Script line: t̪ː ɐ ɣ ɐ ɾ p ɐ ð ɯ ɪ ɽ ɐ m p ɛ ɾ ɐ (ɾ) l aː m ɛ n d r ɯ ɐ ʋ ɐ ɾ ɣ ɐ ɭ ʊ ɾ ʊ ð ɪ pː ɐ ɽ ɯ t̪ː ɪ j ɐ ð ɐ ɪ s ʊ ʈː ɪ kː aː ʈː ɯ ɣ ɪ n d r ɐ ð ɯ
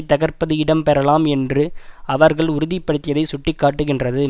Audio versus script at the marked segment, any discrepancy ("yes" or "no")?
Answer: yes